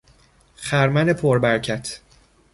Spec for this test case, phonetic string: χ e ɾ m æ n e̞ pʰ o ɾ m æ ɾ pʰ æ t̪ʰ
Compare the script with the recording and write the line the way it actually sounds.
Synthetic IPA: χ æ ɾ m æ n e̞ pʰ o ɾ b æ ɾ cʰ æ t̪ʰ